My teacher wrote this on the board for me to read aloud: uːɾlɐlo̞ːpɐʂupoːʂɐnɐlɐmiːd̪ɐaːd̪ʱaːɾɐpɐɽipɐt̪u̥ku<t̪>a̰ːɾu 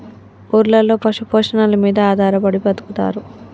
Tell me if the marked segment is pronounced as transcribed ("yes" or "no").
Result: yes